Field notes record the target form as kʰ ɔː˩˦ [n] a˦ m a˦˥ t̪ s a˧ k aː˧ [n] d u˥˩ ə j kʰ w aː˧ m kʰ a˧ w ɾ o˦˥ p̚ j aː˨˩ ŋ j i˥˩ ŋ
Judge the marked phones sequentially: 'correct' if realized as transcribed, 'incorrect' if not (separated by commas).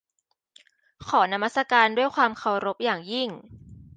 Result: correct, correct